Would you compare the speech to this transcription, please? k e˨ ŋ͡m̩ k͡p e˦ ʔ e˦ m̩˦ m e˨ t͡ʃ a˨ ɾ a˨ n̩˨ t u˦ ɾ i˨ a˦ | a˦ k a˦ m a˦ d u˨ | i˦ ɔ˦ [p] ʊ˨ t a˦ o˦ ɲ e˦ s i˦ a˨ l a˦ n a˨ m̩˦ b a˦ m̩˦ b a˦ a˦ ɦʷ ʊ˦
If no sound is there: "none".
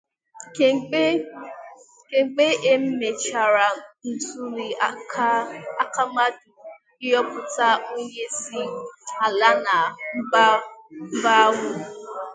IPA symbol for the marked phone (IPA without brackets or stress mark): p